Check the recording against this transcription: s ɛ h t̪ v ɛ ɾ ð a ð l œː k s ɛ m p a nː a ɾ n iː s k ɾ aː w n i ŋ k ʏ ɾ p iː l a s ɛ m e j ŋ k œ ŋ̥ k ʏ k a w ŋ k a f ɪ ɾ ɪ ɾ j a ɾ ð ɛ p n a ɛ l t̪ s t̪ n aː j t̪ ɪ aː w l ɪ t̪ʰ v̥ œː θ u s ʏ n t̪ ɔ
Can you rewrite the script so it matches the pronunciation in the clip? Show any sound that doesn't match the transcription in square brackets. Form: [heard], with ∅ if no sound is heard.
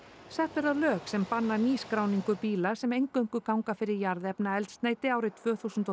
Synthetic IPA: s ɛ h t̪ v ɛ ɾ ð a ð l œː k s ɛ m p a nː a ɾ n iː s k ɾ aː w n i ŋ k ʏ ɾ p iː l a s ɛ m e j ŋ k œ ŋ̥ k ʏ k a w ŋ k a f ɪ ɾ ɪ ɾ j a ɾ ð ɛ p n a ɛ l t̪ s t̪ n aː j t̪ ɪ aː w [ɾ] ɪ t̪ʰ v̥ œː θ u s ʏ n t̪ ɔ